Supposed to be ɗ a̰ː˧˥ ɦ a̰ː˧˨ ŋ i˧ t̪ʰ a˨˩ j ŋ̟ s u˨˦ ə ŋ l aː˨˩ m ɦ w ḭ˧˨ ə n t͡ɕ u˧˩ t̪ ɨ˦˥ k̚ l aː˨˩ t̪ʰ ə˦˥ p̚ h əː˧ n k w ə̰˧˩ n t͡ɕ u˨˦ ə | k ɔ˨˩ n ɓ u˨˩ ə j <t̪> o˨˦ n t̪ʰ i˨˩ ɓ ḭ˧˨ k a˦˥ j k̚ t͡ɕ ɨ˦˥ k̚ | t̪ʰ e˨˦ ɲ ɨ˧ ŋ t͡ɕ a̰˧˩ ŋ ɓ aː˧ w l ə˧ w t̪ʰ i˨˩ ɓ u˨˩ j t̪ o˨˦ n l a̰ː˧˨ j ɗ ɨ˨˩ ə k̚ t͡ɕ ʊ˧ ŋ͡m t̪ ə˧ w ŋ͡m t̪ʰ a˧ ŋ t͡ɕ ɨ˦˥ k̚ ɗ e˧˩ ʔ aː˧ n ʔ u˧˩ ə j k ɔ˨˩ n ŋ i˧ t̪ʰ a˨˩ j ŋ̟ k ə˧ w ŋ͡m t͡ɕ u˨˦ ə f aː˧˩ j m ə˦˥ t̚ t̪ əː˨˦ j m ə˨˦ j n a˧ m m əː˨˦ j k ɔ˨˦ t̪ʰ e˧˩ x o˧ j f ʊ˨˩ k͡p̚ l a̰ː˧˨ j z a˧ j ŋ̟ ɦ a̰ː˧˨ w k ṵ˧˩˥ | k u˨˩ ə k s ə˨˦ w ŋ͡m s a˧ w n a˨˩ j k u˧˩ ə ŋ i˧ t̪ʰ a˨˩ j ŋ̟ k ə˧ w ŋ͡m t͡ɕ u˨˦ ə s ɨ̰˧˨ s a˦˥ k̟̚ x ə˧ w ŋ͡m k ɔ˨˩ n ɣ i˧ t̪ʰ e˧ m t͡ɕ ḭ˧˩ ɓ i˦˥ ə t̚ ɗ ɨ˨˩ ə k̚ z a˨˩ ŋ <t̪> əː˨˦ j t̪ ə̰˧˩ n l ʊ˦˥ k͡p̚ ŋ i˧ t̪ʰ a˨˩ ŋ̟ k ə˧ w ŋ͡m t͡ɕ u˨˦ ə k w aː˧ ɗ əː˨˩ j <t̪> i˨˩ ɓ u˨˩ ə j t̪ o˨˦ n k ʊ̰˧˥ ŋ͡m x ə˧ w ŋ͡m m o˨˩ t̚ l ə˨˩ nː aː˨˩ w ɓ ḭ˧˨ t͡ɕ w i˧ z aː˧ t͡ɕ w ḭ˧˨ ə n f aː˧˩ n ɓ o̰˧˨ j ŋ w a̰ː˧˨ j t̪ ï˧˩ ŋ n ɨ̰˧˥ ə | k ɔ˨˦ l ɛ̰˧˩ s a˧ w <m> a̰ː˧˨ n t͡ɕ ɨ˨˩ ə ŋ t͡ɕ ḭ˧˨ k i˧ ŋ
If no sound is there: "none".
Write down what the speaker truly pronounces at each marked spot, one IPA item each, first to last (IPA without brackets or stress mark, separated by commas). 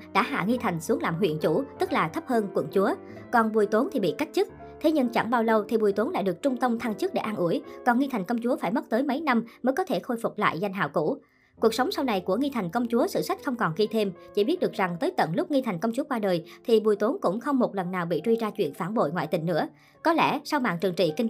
t̪, t̪, t̪ʰ, m